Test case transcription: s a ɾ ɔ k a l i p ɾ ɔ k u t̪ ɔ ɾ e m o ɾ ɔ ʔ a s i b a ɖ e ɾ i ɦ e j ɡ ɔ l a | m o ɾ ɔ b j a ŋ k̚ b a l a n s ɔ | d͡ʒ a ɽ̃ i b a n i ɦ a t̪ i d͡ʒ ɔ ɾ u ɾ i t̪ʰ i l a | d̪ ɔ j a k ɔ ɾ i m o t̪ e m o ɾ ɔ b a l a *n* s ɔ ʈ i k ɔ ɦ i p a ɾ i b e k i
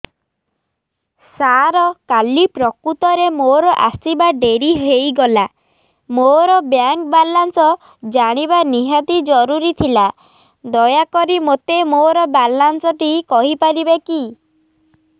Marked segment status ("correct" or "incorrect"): correct